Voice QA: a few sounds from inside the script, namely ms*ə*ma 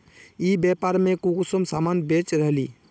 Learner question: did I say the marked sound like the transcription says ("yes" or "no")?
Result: no